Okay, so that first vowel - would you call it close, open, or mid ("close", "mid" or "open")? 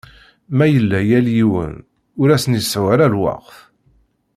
open